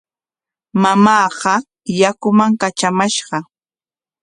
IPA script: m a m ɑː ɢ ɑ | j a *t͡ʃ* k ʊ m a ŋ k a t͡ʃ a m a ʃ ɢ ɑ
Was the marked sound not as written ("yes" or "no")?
yes